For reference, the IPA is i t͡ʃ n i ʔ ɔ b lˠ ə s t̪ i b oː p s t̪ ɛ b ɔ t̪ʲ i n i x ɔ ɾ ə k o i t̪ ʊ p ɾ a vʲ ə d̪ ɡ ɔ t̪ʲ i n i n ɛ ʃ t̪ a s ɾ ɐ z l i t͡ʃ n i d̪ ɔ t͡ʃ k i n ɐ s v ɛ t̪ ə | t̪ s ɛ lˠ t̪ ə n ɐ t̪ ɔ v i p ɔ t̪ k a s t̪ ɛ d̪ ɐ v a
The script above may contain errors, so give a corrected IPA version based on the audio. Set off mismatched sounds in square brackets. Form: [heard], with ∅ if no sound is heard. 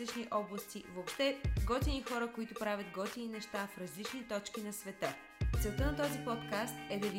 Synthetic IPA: i t͡ʃ n i ʔ ɔ b lˠ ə s t̪ i [v] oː p [ʃ] t̪ ɛ [ɡ] ɔ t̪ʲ i n i x ɔ ɾ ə k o i t̪ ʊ p ɾ a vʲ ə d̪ ɡ ɔ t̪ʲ i n i n ɛ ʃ t̪ a [f] ɾ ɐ z l i t͡ʃ n i [t̪] ɔ t͡ʃ k i n ɐ s v ɛ t̪ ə | t̪ s ɛ lˠ t̪ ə n ɐ t̪ ɔ [z] i p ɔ t̪ k a s t̪ ɛ d̪ ɐ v [i]